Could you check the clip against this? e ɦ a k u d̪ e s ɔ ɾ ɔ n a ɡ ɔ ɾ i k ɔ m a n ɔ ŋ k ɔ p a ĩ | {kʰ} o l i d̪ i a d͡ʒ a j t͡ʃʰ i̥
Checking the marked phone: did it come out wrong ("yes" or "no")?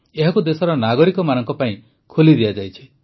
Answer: no